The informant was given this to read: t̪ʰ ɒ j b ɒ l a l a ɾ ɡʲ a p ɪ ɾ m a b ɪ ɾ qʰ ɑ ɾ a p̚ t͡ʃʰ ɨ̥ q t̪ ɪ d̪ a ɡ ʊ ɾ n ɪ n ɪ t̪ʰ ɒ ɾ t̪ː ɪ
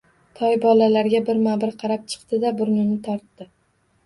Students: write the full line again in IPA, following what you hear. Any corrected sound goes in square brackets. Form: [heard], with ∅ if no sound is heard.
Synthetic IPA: t̪ʰ ɒ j b ɒ l a l a ɾ ɡʲ a [b] ɪ ɾ m a b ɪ ɾ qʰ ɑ ɾ a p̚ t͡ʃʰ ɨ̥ q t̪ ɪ d̪ a [b] ʊ ɾ n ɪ n ɪ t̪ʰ ɒ ɾ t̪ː ɪ

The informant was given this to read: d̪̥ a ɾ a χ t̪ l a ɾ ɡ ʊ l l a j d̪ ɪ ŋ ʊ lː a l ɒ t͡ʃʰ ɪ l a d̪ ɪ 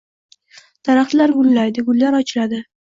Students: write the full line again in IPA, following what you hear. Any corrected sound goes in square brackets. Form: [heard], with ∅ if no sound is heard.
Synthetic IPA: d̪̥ a ɾ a χ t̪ l a ɾ ɡ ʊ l l a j d̪ ɪ [ɡ] ʊ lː a [ɾ] ɒ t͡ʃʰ ɪ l a d̪ ɪ

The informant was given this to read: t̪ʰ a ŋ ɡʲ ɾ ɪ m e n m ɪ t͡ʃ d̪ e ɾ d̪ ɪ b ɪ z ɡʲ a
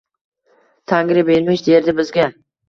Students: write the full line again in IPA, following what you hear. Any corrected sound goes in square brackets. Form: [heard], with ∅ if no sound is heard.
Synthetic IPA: t̪ʰ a ŋ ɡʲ ɾ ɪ [b] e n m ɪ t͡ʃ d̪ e ɾ d̪ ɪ b ɪ z ɡʲ a

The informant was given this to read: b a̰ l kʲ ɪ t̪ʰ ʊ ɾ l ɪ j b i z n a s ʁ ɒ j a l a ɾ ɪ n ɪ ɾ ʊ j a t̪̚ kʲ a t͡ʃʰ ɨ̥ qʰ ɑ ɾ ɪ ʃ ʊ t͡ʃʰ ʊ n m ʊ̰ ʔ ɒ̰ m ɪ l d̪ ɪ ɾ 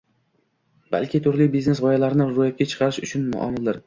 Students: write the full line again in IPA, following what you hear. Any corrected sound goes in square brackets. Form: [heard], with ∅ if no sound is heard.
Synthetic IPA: b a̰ l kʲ ɪ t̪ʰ ʊ ɾ l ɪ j b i z n [e] s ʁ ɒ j a l a ɾ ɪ n ɪ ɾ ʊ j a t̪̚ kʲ a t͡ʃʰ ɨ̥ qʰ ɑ ɾ ɪ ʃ ʊ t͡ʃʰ ʊ n m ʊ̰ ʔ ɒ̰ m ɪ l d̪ ɪ ɾ

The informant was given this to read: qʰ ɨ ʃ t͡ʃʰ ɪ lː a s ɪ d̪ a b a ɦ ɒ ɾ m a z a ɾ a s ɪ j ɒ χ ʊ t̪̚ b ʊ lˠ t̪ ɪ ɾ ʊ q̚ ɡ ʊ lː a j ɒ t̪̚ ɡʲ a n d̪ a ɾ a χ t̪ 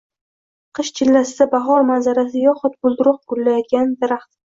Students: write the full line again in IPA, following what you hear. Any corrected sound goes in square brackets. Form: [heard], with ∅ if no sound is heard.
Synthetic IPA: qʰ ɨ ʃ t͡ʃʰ ɪ lː a s ɪ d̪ a b a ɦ ɒ ɾ m a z a ɾ a s ɪ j ɒ χ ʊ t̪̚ b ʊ lˠ [d̪] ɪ ɾ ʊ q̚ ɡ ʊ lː a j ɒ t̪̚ ɡʲ a n d̪ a ɾ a χ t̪

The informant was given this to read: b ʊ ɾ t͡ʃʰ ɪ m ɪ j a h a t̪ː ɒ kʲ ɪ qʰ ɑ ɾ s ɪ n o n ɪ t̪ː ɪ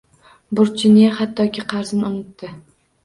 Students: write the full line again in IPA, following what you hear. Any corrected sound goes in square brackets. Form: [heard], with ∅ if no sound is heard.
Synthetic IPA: b ʊ ɾ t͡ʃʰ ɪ [n] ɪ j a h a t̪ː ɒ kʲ ɪ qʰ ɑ ɾ [z] ɪ n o n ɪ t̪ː ɪ

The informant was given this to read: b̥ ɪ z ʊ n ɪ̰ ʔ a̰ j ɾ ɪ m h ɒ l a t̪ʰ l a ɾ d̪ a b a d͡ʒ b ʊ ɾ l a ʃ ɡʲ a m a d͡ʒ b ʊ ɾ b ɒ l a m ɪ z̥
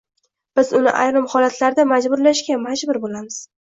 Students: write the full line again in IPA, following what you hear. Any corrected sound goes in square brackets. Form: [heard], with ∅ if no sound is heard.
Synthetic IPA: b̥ ɪ z ʊ n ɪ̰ ʔ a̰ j ɾ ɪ m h ɒ l a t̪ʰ l a ɾ d̪ a [m] a d͡ʒ b ʊ ɾ l a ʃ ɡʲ a m a d͡ʒ b ʊ ɾ b [o] l a m ɪ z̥

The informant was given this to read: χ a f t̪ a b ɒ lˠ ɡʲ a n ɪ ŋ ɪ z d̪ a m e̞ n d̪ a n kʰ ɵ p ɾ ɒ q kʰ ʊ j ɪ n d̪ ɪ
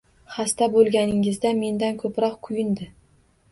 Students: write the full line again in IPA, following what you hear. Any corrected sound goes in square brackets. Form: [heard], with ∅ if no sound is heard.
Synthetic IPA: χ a [s] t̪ a b [o] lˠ ɡʲ a n ɪ ŋ ɪ z d̪ a m e̞ n d̪ a n kʰ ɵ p ɾ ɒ q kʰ ʊ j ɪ n d̪ ɪ

